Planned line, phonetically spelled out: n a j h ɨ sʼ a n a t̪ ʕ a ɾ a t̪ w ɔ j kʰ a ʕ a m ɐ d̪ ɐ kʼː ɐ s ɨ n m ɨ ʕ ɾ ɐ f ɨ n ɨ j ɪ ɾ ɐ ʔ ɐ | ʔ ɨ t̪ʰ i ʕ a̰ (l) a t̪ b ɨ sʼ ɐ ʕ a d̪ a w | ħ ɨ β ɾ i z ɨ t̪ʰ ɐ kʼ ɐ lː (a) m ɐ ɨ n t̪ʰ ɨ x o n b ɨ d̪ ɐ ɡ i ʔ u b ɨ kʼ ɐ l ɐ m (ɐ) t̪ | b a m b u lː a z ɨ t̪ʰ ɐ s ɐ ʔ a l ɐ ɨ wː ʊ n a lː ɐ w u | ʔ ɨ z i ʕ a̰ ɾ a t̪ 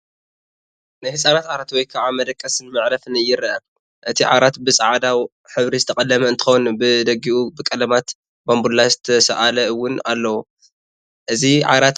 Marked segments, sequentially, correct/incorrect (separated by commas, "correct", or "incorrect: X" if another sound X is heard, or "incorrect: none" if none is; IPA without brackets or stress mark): incorrect: ɾ, incorrect: ɐ, incorrect: a